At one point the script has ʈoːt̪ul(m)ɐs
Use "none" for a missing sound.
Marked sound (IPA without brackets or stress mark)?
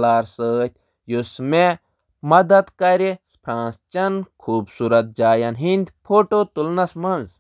n